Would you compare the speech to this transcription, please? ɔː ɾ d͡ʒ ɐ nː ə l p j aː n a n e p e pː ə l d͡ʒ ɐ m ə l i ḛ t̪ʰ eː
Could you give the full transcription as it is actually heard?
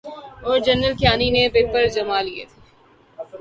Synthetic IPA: ɔː ɾ d͡ʒ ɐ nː ə l k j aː n i n e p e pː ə ɾ d͡ʒ ɐ m a l i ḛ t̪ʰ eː